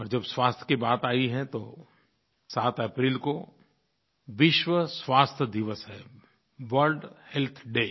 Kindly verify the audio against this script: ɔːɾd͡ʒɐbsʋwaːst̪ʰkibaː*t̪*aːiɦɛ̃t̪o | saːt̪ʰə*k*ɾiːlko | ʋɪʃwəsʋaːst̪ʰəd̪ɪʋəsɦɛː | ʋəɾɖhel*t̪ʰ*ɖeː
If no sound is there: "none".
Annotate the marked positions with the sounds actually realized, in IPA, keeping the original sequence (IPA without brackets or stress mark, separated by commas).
t̪, p, t̪ʰ